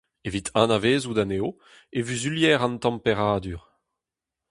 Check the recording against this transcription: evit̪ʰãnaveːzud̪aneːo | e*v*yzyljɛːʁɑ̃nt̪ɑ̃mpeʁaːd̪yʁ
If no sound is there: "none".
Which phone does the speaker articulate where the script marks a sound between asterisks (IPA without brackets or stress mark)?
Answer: v